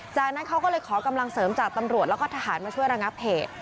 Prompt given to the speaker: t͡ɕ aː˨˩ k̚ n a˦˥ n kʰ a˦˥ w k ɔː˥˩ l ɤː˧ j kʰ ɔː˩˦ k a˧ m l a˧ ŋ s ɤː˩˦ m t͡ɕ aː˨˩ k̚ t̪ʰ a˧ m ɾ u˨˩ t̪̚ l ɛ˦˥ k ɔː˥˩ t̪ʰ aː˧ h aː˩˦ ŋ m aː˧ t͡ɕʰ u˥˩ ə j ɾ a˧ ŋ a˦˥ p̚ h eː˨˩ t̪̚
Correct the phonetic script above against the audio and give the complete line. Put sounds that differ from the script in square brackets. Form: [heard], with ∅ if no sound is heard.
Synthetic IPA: t͡ɕ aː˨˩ k̚ n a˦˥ n kʰ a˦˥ w k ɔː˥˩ l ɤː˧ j kʰ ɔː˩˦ k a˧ m l a˧ ŋ s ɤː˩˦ m t͡ɕ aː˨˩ k̚ [t̪] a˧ m ɾ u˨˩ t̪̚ l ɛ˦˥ k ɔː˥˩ t̪ʰ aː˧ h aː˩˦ [n] m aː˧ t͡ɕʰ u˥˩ ə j ɾ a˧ ŋ a˦˥ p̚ h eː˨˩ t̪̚